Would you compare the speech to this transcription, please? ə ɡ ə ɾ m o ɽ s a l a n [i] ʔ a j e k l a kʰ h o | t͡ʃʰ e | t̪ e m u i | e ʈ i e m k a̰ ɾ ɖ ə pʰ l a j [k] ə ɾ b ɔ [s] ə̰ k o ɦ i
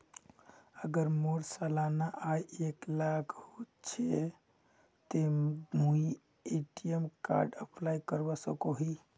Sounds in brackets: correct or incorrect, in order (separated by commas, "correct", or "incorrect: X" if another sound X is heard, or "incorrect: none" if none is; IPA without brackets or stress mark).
incorrect: a, correct, correct